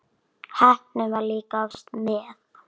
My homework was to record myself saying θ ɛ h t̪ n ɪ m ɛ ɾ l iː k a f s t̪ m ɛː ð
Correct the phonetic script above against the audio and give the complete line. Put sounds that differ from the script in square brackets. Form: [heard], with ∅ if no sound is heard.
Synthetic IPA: [h] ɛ h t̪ n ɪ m [a] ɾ l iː k a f s t̪ m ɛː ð